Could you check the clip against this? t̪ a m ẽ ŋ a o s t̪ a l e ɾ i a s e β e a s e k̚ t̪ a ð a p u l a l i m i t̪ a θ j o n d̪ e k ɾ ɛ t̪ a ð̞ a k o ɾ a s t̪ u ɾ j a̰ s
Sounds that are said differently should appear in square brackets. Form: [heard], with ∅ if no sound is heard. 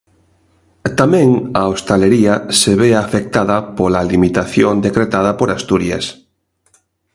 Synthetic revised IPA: t̪ a m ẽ ŋ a o s t̪ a l e ɾ i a s e β e a [f] e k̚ t̪ a ð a p [o] l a l i m i t̪ a θ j o n d̪ e k ɾ [e] t̪ a ð̞ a [p] o ɾ a s t̪ u ɾ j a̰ s